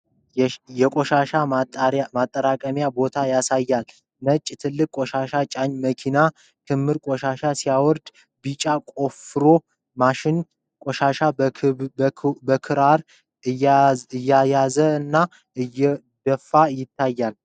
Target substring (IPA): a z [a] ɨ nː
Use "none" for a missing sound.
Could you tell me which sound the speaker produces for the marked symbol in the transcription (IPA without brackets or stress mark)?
ə